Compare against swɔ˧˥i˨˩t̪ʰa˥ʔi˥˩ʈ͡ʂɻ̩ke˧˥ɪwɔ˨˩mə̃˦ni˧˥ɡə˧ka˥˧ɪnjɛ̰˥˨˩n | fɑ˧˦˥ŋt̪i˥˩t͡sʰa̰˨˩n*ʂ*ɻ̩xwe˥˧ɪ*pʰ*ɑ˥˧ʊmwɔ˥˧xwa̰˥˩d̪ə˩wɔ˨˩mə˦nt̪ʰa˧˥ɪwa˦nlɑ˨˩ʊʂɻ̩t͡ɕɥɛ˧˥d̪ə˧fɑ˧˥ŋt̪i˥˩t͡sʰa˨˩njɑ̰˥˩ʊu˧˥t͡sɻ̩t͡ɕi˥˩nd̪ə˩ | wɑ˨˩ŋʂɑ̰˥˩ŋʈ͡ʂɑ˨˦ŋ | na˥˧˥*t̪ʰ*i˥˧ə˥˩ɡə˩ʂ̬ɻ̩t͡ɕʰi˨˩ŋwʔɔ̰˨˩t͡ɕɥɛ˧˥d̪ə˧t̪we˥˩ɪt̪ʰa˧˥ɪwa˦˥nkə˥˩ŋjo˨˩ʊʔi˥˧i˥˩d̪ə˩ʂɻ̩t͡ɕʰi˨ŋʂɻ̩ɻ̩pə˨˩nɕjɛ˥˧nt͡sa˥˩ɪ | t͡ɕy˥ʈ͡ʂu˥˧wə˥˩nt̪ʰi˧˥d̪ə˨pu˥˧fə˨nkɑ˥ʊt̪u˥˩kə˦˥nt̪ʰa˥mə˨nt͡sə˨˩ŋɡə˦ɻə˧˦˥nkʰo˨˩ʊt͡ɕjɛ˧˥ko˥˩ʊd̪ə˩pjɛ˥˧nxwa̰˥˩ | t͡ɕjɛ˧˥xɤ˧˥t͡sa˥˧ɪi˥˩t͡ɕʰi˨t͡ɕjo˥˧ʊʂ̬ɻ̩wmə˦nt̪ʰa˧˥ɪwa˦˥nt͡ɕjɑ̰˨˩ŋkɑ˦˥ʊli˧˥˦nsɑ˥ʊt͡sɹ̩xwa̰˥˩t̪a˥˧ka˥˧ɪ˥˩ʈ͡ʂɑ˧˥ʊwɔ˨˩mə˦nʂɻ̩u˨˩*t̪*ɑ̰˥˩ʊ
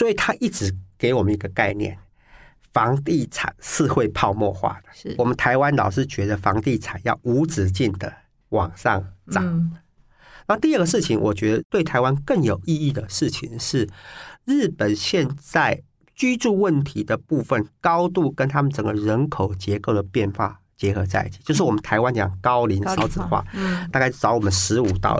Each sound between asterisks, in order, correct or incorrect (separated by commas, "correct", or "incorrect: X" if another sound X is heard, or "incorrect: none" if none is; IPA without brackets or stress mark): correct, correct, incorrect: t̪, correct